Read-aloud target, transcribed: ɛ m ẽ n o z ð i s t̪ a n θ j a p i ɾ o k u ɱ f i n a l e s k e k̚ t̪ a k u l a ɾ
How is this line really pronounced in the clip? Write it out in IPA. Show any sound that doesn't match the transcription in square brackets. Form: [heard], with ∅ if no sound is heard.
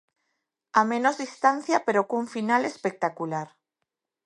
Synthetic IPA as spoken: [a] m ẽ n o z ð i s t̪ a n θ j a p [e] ɾ o k u ɱ f i n a l e s [p] e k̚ t̪ a k u l a ɾ